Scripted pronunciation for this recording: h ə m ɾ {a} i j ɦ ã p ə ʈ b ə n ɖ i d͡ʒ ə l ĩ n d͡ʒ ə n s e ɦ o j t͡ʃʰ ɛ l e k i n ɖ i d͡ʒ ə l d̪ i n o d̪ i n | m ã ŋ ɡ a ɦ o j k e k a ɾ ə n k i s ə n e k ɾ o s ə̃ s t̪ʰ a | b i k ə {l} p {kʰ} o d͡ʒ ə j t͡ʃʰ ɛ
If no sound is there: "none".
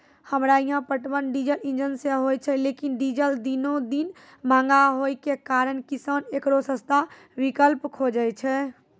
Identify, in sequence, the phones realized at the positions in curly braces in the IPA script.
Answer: a, l, kʰ

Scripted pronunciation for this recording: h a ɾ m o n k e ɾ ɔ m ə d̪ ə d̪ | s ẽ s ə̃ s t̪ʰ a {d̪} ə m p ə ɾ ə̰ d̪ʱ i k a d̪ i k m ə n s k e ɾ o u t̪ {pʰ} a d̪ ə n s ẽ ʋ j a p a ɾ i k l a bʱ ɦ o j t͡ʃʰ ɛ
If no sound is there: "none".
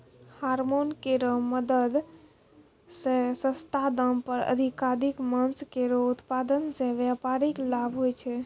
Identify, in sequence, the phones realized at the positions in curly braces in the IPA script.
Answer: d̪, p

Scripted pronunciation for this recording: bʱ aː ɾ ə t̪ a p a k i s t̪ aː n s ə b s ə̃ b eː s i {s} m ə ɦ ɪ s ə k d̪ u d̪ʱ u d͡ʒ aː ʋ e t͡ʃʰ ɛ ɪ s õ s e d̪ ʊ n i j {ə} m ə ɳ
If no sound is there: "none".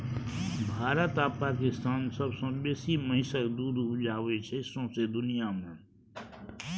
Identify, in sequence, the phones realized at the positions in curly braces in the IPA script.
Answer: none, a

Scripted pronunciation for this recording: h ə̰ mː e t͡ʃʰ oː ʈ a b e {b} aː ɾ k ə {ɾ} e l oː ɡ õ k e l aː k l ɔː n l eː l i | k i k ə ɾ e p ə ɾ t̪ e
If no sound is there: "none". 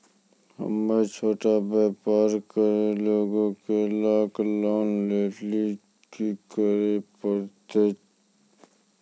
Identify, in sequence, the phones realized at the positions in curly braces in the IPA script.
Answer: p, ɾ

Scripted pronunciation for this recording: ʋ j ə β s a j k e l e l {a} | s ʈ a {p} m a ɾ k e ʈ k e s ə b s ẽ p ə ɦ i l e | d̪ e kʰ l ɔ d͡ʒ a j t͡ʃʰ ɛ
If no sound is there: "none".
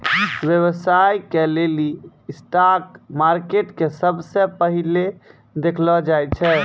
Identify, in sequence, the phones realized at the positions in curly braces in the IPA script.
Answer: i, k

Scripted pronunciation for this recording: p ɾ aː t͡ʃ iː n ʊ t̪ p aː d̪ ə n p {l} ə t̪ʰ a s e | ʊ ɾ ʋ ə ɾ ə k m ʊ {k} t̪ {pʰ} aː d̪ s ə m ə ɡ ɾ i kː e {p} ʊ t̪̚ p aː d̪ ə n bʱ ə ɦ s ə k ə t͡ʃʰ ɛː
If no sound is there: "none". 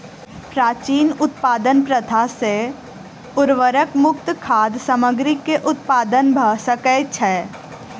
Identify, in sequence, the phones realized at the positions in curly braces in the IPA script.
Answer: ɾ, k, kʰ, ʔ

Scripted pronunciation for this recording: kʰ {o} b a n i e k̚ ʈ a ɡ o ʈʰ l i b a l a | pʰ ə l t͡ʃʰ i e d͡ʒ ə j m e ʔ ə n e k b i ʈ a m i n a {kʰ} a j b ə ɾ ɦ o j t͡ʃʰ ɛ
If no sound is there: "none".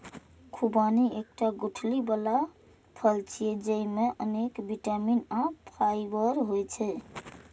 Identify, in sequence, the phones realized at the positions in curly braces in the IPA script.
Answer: u, pʰ

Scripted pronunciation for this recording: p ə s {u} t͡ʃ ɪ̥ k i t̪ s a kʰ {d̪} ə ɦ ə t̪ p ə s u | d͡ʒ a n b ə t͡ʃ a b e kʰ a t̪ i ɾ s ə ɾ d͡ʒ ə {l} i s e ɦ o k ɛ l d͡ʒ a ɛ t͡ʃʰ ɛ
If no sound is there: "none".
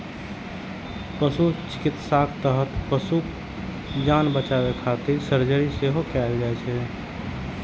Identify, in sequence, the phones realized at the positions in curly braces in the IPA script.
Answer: u, t̪, ɾ

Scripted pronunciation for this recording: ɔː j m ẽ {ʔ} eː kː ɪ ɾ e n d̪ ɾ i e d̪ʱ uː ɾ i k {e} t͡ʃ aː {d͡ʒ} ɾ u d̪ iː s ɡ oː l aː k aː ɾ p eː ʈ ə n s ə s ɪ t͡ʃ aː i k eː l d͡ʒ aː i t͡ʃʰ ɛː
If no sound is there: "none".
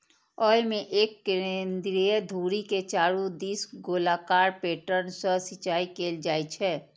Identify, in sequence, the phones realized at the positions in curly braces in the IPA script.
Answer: ʔ, e, none

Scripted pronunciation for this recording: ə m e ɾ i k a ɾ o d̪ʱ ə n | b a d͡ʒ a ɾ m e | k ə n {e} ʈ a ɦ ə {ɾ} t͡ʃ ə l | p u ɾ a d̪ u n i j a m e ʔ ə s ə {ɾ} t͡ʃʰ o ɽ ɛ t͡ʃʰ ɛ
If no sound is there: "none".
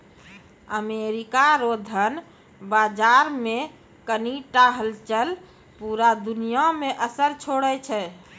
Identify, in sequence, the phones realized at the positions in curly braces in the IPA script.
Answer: i, l, ɾ

